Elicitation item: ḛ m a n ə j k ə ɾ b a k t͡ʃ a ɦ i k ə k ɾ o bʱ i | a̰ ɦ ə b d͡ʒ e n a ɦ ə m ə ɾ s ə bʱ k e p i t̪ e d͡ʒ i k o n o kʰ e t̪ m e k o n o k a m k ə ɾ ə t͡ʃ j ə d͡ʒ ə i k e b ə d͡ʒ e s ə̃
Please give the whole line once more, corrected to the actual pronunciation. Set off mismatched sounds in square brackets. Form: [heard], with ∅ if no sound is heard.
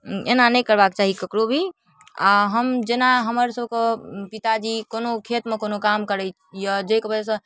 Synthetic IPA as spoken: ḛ [n] a n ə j k ə ɾ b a k t͡ʃ a ɦ i k ə k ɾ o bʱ i | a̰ ɦ ə [m] d͡ʒ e n a ɦ ə m ə ɾ s ə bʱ k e p i t̪ [a] d͡ʒ i k o n o kʰ e t̪ m e k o n o k a m k ə ɾ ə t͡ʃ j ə d͡ʒ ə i k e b ə d͡ʒ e s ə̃

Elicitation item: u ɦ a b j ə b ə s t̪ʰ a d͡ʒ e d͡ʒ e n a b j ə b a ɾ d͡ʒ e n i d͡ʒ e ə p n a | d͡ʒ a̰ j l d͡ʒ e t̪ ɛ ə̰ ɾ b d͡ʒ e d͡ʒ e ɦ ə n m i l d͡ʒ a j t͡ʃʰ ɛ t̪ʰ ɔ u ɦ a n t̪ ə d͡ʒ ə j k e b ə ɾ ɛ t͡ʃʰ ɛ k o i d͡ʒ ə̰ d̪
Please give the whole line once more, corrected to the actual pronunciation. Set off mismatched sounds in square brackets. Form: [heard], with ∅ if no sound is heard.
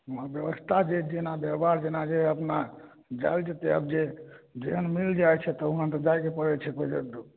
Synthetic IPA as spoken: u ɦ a b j ə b ə s t̪ʰ a d͡ʒ e d͡ʒ e n a b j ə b a ɾ d͡ʒ e n [a] d͡ʒ e ə p n a | d͡ʒ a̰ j l d͡ʒ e t̪ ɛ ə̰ [∅] b d͡ʒ e d͡ʒ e ɦ ə n m i l d͡ʒ a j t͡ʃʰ ɛ [t̪] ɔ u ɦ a n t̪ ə d͡ʒ [a] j k e [p] ə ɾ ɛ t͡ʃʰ ɛ k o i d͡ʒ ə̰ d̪

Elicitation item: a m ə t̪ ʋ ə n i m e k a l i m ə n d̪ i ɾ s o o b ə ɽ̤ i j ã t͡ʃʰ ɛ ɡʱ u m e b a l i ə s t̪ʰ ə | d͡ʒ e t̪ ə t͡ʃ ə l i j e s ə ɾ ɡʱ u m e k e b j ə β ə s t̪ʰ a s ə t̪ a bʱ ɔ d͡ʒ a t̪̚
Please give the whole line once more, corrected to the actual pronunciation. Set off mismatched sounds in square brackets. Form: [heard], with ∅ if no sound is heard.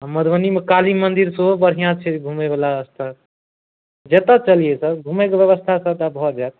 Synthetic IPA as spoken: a m ə [d̪] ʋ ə n i m e k a l i m ə n d̪ i ɾ s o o b ə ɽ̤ i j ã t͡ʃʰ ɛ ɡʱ u m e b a l [a] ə s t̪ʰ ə | d͡ʒ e t̪ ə t͡ʃ ə l i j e s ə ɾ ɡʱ u m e k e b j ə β ə s t̪ʰ a s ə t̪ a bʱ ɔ d͡ʒ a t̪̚

